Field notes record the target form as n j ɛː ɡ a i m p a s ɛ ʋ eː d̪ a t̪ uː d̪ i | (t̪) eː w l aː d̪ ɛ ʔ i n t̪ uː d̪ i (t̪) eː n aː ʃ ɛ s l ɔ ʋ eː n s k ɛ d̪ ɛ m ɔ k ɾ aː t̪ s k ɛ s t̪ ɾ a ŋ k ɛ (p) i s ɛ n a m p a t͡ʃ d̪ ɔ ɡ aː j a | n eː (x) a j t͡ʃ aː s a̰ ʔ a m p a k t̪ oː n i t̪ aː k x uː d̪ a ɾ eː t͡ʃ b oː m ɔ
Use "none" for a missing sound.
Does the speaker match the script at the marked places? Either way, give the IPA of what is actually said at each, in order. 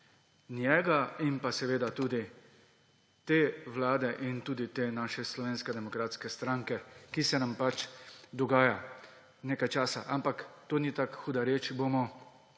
t̪, t̪, k, k

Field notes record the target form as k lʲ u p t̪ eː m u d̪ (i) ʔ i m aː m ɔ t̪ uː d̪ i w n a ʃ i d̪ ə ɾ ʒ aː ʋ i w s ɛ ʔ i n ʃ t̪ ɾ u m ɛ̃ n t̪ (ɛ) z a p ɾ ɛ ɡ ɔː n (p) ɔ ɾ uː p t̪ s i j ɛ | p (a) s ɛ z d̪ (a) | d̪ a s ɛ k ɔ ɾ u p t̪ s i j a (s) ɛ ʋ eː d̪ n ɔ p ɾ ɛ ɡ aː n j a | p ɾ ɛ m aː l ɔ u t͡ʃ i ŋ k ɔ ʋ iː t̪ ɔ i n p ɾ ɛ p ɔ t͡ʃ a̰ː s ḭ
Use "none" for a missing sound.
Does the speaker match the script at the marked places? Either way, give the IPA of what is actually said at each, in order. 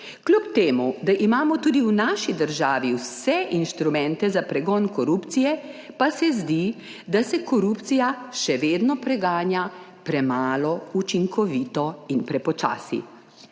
a, ɛ, k, a, i, ʃ

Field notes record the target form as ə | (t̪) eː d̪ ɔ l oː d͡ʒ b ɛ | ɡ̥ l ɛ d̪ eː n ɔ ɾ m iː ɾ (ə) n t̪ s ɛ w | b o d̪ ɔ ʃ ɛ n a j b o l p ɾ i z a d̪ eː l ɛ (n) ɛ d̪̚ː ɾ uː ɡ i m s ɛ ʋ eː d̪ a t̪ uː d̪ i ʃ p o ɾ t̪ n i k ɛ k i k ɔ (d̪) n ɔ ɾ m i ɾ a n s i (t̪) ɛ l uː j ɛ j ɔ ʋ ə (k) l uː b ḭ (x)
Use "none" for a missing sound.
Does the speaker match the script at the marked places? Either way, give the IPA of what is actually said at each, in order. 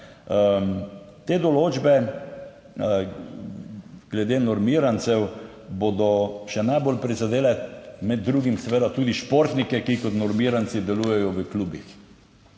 t̪, a, m, t̪, d̪, k, x

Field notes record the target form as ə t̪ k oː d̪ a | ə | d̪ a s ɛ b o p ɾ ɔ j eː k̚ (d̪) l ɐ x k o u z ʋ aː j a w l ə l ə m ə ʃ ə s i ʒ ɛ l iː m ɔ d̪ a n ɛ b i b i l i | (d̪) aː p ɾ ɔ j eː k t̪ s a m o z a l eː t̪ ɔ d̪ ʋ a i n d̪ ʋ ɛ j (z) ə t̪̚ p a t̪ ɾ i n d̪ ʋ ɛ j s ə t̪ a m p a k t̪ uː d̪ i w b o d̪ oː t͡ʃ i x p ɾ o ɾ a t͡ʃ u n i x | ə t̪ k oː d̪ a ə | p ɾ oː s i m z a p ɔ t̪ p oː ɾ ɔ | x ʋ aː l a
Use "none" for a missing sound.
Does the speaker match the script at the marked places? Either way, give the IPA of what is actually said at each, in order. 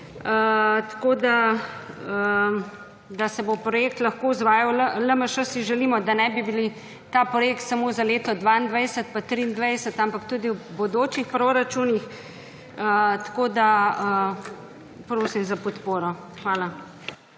t̪, t̪, s

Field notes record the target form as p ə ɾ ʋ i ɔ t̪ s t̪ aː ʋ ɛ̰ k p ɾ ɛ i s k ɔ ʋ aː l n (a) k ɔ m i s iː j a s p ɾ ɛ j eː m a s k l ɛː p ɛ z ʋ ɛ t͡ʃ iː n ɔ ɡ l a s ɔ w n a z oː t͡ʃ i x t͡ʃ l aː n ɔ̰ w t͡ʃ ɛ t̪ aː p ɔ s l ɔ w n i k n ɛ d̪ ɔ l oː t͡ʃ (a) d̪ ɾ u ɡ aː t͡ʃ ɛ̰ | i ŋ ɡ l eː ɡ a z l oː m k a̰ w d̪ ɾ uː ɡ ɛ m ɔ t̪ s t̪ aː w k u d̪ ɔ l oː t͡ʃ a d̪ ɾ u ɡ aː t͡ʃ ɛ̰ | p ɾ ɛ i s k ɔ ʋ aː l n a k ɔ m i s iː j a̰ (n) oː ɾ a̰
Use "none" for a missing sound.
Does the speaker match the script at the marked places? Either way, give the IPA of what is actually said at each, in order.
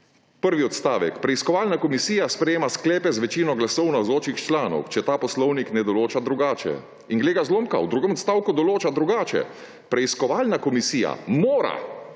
a, a, m

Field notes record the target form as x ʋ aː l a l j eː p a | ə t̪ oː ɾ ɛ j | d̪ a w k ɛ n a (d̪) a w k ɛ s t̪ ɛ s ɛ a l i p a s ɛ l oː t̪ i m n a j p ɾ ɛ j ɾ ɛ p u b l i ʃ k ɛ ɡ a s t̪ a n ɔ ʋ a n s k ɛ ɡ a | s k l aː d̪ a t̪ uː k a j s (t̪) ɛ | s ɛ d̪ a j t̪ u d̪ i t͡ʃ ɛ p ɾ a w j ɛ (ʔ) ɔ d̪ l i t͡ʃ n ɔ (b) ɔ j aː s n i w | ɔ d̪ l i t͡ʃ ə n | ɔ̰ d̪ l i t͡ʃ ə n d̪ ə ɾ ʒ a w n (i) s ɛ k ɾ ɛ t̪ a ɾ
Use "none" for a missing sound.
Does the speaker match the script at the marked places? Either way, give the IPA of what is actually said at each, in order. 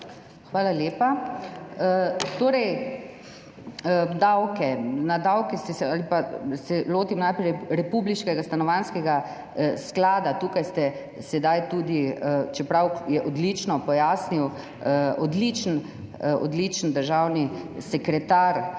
d̪, t̪, ʔ, p, i

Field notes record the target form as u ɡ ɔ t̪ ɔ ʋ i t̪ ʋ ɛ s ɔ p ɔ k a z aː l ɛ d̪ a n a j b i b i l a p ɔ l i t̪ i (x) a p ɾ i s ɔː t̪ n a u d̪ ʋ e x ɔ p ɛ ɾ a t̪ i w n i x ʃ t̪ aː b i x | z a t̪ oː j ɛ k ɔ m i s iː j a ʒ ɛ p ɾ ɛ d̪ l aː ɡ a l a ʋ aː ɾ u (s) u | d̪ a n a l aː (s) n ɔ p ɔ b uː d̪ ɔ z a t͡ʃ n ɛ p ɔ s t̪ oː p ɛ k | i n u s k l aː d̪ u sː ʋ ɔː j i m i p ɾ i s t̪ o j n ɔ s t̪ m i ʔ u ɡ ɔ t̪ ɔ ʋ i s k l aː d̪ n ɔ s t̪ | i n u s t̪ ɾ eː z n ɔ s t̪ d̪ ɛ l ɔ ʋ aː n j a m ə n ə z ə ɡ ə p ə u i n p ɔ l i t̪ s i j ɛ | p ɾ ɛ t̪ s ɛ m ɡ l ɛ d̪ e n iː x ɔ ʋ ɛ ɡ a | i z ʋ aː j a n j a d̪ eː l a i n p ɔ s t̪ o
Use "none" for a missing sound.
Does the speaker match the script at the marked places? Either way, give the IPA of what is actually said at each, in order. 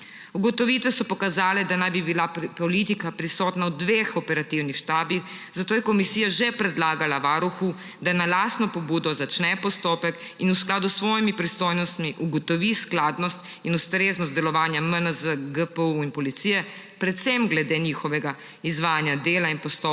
k, x, s

